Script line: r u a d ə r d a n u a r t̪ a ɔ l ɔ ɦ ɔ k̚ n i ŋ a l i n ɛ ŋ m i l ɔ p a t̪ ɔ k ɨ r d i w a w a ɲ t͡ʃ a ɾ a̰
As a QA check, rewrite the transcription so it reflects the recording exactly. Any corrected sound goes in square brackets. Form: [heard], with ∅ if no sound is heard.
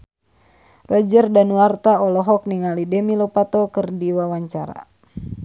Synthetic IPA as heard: r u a [d͡ʒ] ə r d a n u a r t̪ a ɔ l ɔ ɦ ɔ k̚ n i ŋ a l i [d] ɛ [∅] m i l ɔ p a t̪ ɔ k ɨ r d i w a w a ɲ t͡ʃ a ɾ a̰